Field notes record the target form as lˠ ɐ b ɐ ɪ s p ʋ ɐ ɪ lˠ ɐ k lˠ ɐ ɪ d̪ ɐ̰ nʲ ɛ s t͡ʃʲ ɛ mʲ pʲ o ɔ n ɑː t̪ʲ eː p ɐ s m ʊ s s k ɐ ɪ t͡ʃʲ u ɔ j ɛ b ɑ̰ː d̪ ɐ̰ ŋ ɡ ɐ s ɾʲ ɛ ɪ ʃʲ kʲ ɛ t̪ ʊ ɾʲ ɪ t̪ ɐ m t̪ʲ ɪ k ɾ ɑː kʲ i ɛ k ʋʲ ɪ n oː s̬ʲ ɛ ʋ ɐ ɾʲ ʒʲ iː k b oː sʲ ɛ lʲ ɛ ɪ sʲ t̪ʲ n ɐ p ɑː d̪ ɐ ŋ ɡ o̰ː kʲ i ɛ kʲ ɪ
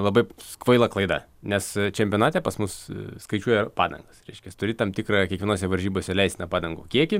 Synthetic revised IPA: lˠ ɐ b ɐ ɪ s k ʋ ɐ ɪ lˠ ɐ k lˠ ɐ ɪ d̪ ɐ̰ nʲ ɛ s t͡ʃʲ ɛ mʲ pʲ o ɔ n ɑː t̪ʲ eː p ɐ s m ʊ s s k ɐ ɪ t͡ʃʲ u ɔ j ɛ p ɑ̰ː d̪ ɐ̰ ŋ ɡ ɐ s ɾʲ ɛ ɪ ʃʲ kʲ ɛ t̪ ʊ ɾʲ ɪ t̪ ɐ m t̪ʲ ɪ k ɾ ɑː kʲ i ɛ k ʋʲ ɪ n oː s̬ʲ ɛ ʋ ɐ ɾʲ ʒʲ iː b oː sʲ ɛ lʲ ɛ ɪ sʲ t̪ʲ n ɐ p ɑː d̪ ɐ ŋ ɡ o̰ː kʲ i ɛ kʲ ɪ